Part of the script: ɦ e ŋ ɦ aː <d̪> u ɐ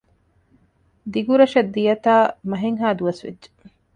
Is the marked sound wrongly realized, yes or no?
no